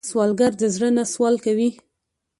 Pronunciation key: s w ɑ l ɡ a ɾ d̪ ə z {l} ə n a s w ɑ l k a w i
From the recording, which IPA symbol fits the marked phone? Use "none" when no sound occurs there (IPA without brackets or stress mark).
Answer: ɽ